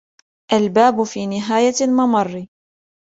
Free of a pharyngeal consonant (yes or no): yes